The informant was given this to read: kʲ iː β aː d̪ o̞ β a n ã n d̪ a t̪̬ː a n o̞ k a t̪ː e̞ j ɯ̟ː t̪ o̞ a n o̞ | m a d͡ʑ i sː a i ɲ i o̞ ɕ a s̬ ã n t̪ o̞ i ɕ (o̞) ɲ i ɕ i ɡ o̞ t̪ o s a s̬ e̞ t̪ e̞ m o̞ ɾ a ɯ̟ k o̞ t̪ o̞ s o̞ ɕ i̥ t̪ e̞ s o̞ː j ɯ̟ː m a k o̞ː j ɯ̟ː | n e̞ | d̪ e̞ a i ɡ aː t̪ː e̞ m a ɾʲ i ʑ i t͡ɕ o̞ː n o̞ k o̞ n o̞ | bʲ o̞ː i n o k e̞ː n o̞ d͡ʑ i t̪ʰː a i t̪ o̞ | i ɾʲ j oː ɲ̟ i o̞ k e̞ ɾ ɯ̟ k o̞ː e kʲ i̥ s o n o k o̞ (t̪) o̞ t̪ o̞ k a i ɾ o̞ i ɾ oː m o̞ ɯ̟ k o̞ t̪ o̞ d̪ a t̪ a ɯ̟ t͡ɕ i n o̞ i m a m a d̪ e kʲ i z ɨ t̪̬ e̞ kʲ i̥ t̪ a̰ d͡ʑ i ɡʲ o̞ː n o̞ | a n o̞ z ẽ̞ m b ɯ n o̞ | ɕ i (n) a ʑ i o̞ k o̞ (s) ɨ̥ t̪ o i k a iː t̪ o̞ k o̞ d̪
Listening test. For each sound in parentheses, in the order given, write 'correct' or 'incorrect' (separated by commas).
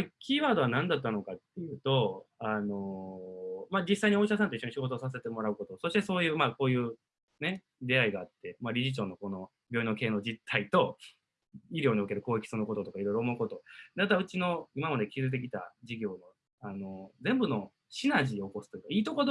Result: correct, correct, correct, correct